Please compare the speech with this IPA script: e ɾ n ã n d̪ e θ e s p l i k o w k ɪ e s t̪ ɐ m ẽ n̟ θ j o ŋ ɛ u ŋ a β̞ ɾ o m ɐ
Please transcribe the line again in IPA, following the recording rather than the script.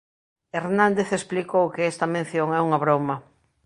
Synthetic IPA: e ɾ n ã n d̪ e θ e s p l i k o w k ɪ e s t̪ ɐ m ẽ n̟ θ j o ŋ ɛ u ŋ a β̞ ɾ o m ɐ